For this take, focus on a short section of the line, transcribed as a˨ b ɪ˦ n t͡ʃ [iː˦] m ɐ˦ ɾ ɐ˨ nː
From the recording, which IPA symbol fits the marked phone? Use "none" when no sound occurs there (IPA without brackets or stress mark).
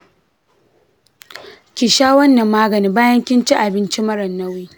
i˦